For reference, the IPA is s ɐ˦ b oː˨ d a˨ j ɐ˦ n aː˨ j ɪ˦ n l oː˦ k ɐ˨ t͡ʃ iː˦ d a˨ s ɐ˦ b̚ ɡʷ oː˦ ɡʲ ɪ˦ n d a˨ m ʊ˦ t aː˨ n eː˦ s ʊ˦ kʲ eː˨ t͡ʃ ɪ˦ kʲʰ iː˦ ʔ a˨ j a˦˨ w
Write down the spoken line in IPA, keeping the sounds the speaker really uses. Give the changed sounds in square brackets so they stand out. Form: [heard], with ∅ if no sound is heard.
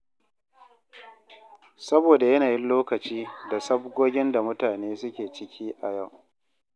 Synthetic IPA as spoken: s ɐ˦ b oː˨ d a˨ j ɐ˦ n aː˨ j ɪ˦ n l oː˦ k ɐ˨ t͡ʃ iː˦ d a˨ s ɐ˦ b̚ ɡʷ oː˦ ɡʲ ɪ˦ n d a˨ m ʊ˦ t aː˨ n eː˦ s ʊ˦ kʲ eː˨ t͡ʃ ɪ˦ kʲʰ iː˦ ʔ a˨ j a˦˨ w

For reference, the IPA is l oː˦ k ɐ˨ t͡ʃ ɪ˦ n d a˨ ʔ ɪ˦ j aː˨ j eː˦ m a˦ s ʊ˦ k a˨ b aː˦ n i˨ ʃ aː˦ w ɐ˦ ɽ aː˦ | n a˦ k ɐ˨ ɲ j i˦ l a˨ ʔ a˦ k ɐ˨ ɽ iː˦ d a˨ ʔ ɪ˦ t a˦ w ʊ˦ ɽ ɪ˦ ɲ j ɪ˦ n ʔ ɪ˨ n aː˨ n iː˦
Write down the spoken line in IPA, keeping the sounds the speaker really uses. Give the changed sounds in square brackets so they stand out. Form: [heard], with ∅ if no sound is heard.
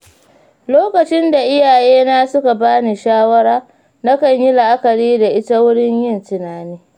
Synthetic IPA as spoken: l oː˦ k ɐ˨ t͡ʃ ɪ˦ n d a˨ ʔ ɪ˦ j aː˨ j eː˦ [n] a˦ s ʊ˦ k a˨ b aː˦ n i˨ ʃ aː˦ w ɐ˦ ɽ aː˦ | n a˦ k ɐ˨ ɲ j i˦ l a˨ ʔ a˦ k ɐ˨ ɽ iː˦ d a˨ ʔ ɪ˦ t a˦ w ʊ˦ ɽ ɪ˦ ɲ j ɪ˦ n [t] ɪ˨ n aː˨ n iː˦

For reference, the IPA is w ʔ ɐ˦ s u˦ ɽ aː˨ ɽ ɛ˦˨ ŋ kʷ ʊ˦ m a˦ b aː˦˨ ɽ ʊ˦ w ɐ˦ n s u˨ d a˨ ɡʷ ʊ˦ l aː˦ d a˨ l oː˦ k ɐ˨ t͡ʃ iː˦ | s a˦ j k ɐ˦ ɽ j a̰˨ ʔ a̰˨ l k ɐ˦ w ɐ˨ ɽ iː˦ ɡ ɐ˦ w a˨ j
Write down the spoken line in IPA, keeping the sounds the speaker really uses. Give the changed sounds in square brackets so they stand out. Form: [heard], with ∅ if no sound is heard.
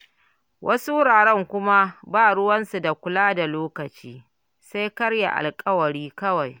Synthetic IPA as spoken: w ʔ ɐ˦ s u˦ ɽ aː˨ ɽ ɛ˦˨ ŋ kʷ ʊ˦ m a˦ b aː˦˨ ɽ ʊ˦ w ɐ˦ n s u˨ d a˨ [kʷ] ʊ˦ l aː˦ d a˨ l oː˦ k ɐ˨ t͡ʃ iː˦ | s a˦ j k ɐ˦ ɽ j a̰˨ ʔ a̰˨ l [kʼ] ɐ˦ w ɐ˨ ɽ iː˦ [k] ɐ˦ w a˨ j

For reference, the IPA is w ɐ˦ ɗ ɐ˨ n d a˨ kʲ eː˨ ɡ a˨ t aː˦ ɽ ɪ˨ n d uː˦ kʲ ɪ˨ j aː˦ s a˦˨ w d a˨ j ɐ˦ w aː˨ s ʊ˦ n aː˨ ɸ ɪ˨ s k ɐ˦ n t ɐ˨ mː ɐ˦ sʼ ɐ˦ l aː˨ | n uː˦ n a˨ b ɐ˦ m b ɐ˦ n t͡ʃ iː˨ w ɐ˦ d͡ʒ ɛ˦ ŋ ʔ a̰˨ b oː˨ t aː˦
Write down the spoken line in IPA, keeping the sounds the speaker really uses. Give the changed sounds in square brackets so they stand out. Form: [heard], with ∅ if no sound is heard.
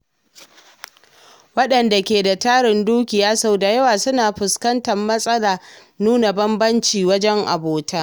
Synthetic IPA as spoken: w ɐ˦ ɗ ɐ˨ n d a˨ kʲ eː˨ [d] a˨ t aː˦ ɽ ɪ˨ n d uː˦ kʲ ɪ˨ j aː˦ s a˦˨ w d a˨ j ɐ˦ w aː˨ s ʊ˦ n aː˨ ɸ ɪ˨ s k ɐ˦ n t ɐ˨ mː ɐ˦ sʼ ɐ˦ l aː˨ | n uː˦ n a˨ b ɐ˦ m b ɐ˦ n t͡ʃ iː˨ w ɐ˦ d͡ʒ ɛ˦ ŋ ʔ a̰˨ b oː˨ t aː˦

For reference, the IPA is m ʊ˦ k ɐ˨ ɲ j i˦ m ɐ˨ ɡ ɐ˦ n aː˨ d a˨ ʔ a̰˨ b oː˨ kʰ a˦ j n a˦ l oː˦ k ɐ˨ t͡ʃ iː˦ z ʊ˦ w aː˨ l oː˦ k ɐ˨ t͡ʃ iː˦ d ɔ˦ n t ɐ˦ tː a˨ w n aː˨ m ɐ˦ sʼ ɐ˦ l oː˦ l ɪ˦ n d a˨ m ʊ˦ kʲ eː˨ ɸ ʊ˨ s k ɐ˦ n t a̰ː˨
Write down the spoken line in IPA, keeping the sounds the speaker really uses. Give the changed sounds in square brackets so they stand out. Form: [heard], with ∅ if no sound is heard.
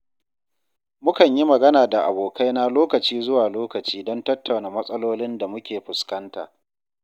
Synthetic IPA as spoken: m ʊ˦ k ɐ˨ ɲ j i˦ m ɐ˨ ɡ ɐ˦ n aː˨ d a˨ ʔ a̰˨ b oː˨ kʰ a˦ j n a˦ l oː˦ k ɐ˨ t͡ʃ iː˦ z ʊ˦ w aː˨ l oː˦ k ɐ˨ t͡ʃ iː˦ d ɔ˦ n t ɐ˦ tː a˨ w n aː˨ m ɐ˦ sʼ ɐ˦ l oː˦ l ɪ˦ n d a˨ m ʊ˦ kʲ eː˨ ɸ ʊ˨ s k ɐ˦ n t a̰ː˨

